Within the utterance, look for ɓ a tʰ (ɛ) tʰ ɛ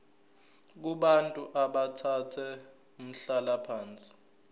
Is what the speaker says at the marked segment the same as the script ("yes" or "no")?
no